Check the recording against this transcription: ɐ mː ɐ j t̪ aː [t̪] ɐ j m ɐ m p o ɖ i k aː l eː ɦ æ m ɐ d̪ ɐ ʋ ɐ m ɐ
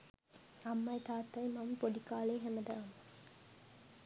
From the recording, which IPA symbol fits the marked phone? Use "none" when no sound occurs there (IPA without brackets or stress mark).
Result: t̪